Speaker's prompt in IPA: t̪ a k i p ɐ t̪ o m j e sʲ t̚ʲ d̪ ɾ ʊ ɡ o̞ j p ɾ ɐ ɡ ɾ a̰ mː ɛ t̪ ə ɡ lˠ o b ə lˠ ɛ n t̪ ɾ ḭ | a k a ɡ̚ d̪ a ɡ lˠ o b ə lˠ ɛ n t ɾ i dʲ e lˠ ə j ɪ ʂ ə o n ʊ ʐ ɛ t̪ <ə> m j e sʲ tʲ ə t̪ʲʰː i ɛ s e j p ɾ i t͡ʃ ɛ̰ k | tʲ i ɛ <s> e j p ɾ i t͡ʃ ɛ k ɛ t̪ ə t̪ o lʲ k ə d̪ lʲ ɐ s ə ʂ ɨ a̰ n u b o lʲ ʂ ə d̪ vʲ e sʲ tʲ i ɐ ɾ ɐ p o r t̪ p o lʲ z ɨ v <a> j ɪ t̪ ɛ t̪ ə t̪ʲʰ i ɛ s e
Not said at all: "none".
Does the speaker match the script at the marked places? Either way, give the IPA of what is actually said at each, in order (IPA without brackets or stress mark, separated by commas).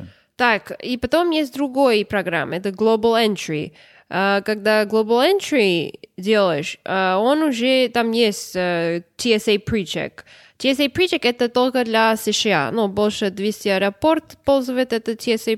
a, s, ə